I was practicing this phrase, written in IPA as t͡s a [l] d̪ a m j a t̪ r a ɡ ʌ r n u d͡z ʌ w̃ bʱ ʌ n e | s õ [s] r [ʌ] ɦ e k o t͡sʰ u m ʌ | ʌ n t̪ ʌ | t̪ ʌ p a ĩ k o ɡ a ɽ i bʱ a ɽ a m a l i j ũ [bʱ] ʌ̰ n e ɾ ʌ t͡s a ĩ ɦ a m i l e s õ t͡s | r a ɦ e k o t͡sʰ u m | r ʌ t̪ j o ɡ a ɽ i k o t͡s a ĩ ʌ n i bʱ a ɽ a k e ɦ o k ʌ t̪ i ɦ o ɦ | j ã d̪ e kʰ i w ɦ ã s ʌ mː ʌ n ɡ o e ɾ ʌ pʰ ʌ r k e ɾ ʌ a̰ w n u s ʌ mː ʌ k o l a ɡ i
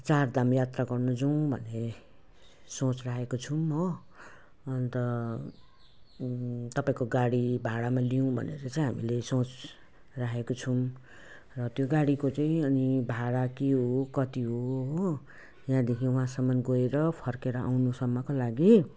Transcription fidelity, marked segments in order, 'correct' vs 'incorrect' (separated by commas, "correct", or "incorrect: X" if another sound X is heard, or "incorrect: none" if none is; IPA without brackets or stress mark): incorrect: r, incorrect: t͡s, incorrect: a, correct